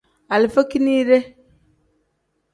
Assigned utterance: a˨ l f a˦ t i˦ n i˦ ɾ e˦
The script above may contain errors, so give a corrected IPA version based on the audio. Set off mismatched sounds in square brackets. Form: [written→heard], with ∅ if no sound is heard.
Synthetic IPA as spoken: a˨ l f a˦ [t→k] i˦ n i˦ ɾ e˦